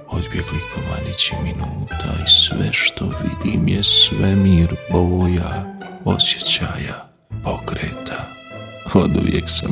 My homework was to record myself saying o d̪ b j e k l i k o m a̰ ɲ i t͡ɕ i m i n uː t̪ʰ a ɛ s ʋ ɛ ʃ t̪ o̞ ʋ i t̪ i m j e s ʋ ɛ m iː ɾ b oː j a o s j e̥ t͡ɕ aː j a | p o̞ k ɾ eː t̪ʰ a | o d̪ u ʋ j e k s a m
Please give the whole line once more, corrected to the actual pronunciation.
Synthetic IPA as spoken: o d̪ b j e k l i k o m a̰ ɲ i t͡ɕ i m i n uː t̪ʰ a i s ʋ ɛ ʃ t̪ o̞ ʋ i d̪ i m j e s ʋ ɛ m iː ɾ b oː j a o s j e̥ t͡ɕ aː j a | p o̞ k ɾ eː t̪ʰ a | o d̪ u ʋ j e k s a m